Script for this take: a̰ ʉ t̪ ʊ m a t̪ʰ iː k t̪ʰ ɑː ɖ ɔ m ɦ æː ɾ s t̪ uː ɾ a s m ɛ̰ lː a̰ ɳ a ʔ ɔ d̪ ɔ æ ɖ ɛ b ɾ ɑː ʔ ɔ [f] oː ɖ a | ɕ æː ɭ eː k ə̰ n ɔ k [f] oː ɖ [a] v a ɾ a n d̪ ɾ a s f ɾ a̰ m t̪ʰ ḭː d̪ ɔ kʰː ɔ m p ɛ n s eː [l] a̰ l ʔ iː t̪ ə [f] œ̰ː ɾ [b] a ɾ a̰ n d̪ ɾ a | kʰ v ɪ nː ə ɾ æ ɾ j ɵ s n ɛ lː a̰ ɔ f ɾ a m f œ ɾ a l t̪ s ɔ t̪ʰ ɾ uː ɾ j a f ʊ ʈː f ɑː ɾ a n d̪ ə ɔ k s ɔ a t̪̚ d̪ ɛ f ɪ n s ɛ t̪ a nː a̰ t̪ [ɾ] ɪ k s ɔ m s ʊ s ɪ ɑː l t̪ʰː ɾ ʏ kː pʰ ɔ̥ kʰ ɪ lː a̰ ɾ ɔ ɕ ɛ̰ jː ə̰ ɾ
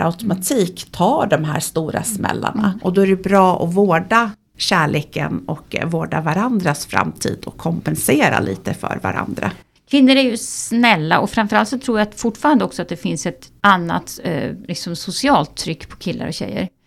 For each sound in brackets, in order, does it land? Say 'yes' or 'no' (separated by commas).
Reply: no, no, yes, no, yes, no, no